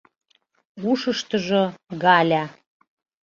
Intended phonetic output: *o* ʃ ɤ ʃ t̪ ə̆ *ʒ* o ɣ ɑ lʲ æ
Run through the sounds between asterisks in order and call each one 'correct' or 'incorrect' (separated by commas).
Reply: incorrect, correct